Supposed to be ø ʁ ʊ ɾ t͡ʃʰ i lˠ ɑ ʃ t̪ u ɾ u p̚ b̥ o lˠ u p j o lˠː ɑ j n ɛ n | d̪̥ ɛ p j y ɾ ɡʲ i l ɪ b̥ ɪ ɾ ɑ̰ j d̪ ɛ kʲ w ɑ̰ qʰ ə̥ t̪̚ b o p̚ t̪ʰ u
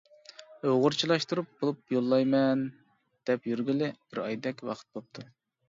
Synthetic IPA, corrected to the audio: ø ʁ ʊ ɾ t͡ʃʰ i lˠ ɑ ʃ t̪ u ɾ u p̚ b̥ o lˠ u p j o lˠː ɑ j m ɛ n | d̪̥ ɛ p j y ɾ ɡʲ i l ɪ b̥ ɪ ɾ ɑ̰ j d̪ ɛ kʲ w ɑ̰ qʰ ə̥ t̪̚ b o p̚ t̪ʰ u